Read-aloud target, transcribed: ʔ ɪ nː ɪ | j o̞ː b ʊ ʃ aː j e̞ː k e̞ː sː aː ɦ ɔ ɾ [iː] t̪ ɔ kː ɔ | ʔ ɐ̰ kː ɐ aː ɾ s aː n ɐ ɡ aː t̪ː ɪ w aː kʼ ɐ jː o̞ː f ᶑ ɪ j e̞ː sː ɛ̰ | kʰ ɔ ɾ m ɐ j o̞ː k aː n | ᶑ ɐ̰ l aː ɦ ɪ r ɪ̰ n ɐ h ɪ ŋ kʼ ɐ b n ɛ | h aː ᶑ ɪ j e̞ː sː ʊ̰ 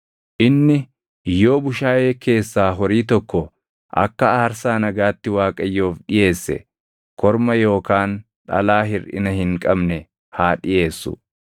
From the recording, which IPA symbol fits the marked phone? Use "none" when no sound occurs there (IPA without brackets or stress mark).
iː